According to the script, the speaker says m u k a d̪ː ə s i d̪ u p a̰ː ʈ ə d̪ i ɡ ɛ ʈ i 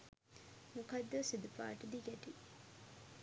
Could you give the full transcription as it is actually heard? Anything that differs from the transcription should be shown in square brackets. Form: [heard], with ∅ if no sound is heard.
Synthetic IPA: m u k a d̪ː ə s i d̪ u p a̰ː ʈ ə d̪ i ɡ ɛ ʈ i